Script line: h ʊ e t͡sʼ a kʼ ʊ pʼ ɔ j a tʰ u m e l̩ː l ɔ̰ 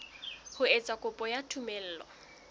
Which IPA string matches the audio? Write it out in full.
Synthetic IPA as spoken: h ʊ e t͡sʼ a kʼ ʊ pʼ ɔ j a tʰ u m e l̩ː l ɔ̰